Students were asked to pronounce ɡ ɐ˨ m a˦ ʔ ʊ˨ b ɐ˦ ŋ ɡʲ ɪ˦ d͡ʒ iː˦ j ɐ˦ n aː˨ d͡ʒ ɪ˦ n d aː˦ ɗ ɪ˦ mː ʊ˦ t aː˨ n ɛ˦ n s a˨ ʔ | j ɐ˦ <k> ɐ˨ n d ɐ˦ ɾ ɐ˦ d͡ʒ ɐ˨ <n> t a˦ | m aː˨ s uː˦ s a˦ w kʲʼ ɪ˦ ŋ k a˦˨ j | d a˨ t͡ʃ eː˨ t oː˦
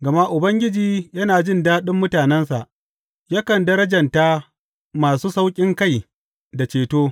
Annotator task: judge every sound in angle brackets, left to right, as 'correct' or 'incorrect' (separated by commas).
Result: correct, correct